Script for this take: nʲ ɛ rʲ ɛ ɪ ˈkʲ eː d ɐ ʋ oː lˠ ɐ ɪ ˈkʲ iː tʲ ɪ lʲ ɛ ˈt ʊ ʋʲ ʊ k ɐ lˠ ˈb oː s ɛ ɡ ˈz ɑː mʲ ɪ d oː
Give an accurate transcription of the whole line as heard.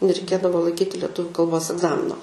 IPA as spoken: nʲ ɛ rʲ ɛ ɪ ˈkʲ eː d ɐ ʋ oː lˠ ɐ ɪ ˈkʲ iː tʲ ɪ lʲ ɛ ˈt ʊ ʋʲ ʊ k ɐ lˠ ˈb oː s ɛ ɡ ˈz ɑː mʲ ɪ n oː